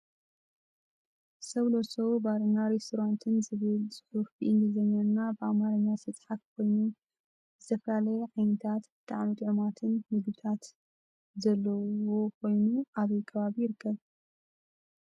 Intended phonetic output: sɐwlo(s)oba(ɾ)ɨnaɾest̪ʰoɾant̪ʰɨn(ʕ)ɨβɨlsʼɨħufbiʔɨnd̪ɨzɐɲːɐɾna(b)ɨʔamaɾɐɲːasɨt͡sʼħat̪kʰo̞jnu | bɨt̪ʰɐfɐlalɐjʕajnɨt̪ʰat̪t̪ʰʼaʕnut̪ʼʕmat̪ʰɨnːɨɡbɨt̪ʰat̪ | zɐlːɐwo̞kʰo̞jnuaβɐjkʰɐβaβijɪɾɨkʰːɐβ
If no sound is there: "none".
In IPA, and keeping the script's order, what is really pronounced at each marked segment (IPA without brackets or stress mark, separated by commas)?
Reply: s, ɾ, z, b